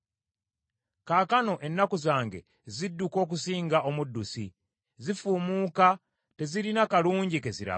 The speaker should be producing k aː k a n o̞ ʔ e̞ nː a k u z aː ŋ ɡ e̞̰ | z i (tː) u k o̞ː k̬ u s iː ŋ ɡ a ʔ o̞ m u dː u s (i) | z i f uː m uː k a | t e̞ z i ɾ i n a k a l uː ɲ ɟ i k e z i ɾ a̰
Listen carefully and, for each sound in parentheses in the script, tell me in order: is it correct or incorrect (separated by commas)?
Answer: incorrect, correct